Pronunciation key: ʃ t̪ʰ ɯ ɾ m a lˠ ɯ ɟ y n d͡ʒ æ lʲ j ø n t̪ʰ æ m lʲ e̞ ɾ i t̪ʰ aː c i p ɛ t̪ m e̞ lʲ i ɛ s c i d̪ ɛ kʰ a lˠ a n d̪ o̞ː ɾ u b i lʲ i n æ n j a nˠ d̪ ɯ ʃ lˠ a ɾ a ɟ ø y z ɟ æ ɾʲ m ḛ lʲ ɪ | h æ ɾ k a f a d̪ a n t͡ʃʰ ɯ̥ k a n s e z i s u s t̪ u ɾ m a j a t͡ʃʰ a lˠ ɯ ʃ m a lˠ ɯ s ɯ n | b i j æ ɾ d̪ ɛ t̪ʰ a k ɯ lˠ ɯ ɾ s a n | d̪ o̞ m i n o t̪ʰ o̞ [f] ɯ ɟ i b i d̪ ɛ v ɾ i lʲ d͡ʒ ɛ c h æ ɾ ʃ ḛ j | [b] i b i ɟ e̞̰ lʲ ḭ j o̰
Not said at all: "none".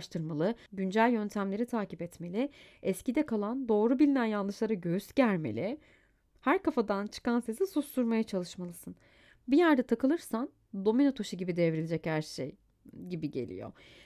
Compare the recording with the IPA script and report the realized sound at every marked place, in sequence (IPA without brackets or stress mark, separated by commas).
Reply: ʃ, ɟ